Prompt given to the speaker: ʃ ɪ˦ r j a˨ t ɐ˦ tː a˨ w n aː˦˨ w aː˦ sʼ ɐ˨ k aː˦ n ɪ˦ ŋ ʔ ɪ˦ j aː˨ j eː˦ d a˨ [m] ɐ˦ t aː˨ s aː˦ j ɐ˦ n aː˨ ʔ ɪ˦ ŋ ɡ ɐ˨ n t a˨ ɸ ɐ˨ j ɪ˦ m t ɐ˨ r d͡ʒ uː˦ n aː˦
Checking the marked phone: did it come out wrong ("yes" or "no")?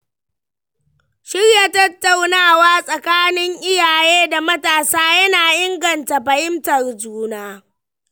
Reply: no